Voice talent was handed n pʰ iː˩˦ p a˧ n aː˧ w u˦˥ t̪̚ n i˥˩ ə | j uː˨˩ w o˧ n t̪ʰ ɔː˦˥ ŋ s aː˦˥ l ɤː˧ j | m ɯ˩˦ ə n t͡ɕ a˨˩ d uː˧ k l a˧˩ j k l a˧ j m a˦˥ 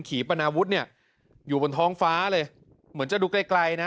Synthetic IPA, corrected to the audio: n kʰ iː˩˦ p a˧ n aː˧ w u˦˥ t̪̚ n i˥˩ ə | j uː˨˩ b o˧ n t̪ʰ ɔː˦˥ ŋ f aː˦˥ l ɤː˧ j | m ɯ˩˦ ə n t͡ɕ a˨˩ d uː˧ k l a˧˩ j k l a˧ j n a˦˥